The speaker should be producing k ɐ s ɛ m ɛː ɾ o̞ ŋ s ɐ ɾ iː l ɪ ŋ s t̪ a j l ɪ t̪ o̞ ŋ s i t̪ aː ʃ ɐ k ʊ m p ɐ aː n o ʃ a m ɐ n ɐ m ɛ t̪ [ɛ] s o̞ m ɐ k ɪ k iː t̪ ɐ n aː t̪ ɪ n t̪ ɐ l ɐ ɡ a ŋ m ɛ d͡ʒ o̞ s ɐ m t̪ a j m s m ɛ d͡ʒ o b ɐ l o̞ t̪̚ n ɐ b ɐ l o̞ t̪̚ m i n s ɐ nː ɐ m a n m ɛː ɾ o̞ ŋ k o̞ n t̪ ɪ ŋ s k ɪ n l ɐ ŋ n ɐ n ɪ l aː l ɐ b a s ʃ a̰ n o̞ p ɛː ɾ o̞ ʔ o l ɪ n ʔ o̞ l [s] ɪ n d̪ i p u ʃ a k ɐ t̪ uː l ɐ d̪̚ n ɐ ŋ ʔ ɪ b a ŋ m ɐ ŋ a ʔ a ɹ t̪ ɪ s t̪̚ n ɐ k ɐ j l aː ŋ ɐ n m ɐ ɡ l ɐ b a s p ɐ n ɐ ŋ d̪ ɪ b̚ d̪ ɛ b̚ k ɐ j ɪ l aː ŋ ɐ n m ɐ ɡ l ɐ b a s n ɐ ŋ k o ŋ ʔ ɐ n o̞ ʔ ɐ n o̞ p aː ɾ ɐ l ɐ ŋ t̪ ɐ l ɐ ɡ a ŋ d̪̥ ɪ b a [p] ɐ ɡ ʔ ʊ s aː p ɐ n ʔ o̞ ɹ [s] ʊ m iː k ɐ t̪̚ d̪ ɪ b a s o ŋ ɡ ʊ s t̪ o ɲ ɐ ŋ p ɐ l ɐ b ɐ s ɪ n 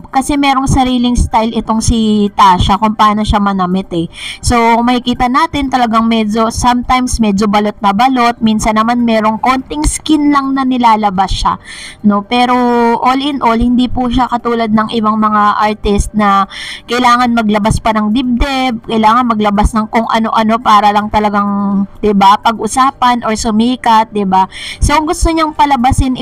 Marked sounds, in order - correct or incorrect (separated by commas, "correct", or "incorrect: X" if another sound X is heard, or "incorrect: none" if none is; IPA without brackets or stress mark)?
correct, incorrect: h, correct, correct